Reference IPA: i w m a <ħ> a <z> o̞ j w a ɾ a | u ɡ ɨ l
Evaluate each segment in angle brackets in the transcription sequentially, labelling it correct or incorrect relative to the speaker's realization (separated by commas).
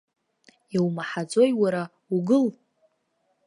correct, incorrect